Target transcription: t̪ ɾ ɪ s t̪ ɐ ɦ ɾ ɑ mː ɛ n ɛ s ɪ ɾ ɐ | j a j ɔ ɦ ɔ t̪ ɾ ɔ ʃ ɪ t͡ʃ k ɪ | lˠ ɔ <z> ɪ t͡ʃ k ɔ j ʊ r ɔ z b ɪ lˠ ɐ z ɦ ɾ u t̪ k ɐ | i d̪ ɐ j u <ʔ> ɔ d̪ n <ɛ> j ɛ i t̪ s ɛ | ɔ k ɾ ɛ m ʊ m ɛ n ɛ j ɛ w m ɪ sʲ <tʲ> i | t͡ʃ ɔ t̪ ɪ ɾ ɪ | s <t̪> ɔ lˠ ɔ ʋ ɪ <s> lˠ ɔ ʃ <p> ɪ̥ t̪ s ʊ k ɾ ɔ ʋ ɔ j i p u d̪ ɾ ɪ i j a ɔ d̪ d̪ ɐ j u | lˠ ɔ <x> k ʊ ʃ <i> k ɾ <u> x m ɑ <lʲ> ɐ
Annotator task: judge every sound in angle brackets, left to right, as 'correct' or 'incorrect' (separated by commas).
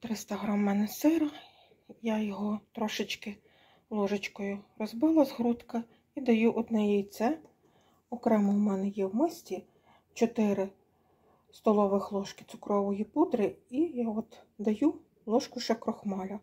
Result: incorrect, correct, correct, correct, correct, incorrect, incorrect, incorrect, incorrect, incorrect, correct